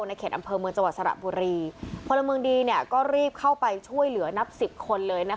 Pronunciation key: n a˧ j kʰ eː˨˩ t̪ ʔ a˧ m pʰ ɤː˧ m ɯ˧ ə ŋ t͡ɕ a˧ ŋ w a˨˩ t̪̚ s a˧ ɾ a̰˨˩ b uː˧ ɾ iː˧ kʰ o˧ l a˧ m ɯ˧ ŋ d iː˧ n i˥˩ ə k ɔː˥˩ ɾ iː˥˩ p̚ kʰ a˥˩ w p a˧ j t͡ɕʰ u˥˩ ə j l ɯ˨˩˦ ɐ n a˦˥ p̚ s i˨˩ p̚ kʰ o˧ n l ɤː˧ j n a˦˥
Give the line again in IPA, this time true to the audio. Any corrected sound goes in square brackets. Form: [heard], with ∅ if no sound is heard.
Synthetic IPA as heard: n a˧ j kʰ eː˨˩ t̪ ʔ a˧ m pʰ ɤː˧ m ɯ˧ ə ŋ t͡ɕ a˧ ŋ w a˨˩ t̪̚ s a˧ ɾ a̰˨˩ b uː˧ ɾ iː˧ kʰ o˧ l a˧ m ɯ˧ ŋ d iː˧ n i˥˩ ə k ɔː˥˩ ɾ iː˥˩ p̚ kʰ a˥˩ w p a˧ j t͡ɕʰ u˥˩ ə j l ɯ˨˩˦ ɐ n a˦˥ p̚ s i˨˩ p̚ kʰ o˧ n l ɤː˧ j n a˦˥